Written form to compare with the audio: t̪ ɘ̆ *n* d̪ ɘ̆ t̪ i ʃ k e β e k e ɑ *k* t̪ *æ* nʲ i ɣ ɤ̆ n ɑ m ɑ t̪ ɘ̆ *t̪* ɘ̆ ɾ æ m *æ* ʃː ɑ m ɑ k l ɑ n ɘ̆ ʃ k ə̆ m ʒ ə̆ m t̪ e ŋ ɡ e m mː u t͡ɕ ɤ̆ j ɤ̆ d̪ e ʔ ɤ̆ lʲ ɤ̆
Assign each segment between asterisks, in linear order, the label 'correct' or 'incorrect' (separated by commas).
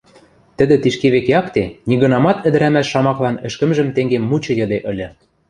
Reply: incorrect, correct, incorrect, incorrect, correct